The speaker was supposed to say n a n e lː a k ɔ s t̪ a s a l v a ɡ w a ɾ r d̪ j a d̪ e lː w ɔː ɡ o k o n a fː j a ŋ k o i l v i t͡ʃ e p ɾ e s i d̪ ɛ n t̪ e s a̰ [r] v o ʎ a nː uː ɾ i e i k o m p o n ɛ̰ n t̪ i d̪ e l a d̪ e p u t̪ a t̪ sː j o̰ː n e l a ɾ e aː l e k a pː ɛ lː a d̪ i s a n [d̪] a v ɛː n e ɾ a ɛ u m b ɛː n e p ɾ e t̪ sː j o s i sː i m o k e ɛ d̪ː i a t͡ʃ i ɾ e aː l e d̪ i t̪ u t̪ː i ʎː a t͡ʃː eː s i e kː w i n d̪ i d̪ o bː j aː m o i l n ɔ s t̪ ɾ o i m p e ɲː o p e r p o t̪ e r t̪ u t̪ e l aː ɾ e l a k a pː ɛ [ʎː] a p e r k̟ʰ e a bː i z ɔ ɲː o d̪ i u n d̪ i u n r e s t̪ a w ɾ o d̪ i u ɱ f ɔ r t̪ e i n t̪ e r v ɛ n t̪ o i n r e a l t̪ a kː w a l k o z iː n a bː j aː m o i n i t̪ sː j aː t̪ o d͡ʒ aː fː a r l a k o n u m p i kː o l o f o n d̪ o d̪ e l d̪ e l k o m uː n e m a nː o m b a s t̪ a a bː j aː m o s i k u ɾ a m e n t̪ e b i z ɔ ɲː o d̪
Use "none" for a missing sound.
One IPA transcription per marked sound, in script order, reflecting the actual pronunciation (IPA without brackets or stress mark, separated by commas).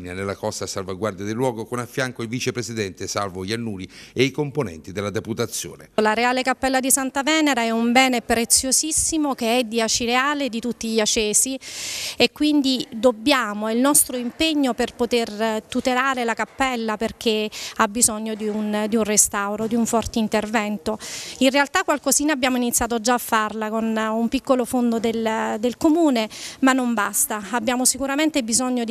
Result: l, t̪, lː